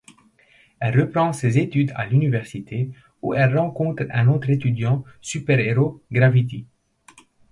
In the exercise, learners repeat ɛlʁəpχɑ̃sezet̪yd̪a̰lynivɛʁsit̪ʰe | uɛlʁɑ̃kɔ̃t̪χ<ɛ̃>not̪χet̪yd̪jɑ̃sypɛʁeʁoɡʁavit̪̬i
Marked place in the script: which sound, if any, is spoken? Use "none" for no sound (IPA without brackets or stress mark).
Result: ɛ̃